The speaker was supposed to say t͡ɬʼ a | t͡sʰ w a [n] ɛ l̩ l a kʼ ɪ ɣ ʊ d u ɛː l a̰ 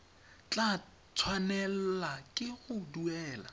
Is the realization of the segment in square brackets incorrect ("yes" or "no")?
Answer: no